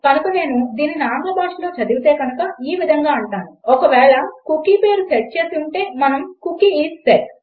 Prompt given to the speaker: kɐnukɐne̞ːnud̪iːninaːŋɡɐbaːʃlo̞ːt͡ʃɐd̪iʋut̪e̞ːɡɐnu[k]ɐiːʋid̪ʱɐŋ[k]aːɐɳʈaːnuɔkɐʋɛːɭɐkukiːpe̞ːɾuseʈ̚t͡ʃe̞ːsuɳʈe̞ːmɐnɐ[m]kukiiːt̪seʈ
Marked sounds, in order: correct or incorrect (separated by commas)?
correct, incorrect, correct